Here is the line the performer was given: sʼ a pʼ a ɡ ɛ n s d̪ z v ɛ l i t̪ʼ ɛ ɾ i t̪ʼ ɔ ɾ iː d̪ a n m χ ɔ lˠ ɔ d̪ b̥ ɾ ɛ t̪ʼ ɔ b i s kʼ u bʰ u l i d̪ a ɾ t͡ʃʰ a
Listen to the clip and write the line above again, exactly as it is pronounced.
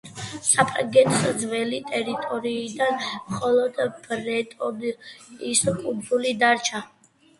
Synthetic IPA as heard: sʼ a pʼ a ɡ ɛ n s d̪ z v ɛ l i t̪ʼ ɛ ɾ i t̪ʼ ɔ ɾ iː d̪ a n m χ ɔ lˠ ɔ d̪ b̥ ɾ ɛ t̪ʼ ɔ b i s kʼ u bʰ u l i d̪ a ɾ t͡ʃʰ a